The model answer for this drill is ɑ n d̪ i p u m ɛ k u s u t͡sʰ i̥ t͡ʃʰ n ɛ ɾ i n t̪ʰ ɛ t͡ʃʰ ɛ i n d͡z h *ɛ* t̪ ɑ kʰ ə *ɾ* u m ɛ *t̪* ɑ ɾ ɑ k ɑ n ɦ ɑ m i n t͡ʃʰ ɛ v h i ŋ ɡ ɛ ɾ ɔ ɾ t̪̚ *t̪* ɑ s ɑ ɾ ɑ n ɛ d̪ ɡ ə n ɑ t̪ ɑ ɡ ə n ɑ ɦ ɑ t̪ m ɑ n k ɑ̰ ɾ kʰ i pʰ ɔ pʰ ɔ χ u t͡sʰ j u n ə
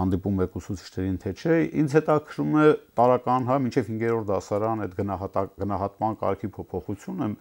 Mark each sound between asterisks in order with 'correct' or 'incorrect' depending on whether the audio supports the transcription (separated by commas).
correct, correct, correct, incorrect